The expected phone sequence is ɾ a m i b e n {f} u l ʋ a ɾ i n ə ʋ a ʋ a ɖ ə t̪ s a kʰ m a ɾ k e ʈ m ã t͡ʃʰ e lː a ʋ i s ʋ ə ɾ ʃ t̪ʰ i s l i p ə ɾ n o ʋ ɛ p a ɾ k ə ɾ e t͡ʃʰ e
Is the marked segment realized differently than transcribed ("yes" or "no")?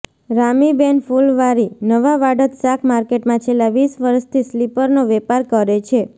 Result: no